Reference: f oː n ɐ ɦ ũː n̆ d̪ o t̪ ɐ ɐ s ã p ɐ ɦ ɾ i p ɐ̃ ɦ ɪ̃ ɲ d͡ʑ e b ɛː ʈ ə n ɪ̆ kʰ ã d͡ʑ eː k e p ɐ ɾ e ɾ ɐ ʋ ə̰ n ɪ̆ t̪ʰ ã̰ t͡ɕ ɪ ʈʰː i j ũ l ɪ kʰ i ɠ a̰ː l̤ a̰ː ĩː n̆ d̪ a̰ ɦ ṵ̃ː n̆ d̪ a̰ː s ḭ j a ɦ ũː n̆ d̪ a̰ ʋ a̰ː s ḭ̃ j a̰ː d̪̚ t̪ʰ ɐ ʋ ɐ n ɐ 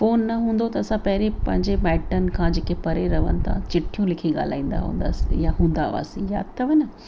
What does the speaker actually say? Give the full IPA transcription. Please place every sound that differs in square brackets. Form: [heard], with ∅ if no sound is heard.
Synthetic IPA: f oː [nː] ɐ ɦ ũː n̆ d̪ o t̪ ɐ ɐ s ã p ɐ ɦ ɾ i p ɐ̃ ɦ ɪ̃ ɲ d͡ʑ e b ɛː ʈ ə n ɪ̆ kʰ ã d͡ʑ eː k e p ɐ ɾ e ɾ ɐ ʋ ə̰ n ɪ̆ t̪ʰ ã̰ t͡ɕ ɪ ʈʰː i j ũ l ɪ kʰ i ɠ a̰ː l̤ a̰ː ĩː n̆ d̪ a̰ ɦ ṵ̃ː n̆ d̪ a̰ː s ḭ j a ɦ ũː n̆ d̪ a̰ ʋ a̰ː s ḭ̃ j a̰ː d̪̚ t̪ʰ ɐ ʋ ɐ n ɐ